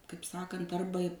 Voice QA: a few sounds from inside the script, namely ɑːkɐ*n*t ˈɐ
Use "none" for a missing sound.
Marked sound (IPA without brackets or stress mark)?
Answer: n